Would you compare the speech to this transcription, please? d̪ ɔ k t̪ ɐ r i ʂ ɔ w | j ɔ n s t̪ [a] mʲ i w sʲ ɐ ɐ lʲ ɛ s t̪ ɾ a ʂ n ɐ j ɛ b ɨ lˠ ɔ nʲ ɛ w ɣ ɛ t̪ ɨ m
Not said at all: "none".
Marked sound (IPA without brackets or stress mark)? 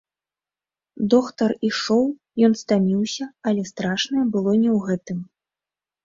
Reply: a